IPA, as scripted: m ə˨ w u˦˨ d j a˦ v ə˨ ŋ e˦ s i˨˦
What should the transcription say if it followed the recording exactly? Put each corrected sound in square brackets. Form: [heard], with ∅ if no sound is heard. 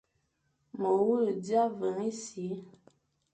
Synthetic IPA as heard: m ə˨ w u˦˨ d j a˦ v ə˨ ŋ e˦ s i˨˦